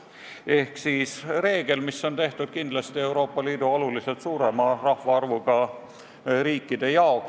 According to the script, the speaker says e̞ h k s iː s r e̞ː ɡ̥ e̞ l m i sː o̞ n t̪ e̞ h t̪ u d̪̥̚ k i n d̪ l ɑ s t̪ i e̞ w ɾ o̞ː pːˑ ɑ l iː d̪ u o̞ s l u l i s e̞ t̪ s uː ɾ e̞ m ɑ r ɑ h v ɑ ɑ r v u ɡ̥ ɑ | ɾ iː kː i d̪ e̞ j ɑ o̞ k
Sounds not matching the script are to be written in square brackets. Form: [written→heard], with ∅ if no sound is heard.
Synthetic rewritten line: e̞ h k s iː s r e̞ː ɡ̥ e̞ l m i sː o̞ n t̪ e̞ h t̪ u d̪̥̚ k i n d̪ l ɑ s t̪ i e̞ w ɾ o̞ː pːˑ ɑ l iː d̪ u o̞ [s→∅] l u l i s e̞ t̪ s uː ɾ e̞ m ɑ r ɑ h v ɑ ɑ r v u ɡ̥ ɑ | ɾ iː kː i d̪ e̞ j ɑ o̞ k